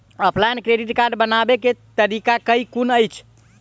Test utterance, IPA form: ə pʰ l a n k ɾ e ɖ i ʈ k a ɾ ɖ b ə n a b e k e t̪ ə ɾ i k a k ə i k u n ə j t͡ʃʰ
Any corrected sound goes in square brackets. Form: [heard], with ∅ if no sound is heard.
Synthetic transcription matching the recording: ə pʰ l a n k ɾ e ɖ i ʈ k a ɾ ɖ b ə n a b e k e t̪ ə ɾ i k a k ə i k u n ə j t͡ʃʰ